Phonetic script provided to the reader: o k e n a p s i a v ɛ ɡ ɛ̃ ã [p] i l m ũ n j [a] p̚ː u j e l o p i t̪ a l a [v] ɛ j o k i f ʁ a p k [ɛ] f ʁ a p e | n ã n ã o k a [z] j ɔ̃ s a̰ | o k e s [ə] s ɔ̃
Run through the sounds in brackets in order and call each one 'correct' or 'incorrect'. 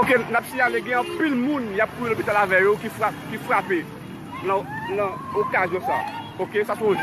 correct, correct, correct, incorrect: i, correct, incorrect: a

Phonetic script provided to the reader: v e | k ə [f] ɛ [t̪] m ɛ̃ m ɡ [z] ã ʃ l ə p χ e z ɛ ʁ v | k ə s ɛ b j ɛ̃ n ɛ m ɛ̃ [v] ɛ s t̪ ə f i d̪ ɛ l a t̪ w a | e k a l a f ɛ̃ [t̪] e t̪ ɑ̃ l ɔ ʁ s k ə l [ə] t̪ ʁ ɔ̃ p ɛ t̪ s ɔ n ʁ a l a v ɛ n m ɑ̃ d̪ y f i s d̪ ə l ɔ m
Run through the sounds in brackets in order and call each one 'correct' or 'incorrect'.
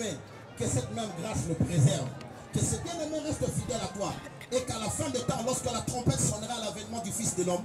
incorrect: s, correct, incorrect: ʁ, incorrect: ʁ, incorrect: d̪, incorrect: a

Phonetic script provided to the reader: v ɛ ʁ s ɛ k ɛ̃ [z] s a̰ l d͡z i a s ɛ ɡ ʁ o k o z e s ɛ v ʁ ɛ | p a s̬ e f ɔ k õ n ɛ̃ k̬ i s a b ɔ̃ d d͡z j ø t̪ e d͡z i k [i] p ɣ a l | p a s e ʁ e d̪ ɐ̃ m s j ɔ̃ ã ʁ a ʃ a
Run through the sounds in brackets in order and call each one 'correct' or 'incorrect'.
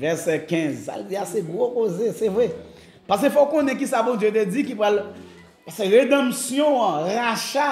correct, correct

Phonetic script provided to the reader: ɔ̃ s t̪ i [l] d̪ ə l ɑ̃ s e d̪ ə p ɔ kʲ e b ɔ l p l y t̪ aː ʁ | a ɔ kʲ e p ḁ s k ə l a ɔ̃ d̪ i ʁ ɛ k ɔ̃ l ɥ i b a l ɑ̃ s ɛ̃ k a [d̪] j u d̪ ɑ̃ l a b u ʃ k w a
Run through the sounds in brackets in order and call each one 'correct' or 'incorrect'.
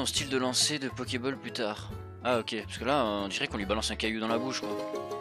correct, incorrect: none

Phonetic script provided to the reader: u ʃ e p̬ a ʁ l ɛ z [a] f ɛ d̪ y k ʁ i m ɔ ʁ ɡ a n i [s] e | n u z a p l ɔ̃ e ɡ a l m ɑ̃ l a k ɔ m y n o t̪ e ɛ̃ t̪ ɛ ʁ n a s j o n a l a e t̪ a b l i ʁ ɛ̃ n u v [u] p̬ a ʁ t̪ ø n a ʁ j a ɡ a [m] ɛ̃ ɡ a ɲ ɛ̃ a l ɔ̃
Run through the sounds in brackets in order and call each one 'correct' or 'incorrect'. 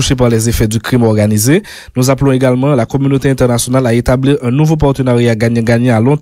incorrect: e, incorrect: z, incorrect: o, incorrect: ɲ

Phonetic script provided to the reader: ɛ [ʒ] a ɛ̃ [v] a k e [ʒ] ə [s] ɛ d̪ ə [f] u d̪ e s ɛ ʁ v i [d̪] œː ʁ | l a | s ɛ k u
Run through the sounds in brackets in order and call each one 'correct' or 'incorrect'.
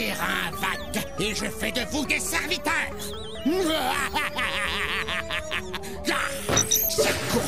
incorrect: ʁ, correct, correct, incorrect: f, incorrect: v, incorrect: t̪

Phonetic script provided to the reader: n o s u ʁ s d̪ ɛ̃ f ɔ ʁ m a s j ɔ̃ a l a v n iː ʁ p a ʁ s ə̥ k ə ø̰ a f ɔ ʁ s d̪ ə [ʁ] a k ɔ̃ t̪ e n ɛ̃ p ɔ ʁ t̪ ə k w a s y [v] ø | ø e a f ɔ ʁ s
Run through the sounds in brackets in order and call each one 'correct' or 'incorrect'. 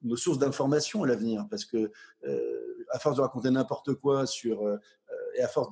correct, incorrect: ʁ

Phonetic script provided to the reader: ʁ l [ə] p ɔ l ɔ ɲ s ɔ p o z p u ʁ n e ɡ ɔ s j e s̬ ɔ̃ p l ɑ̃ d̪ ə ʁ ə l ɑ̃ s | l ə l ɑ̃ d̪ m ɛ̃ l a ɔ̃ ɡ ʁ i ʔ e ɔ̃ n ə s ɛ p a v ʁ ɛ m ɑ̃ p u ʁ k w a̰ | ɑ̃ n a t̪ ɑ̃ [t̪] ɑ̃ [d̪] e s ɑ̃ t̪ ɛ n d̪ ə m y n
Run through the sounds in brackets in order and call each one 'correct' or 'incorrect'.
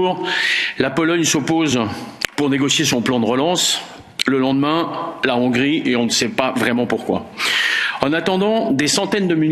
incorrect: a, incorrect: d̪, correct

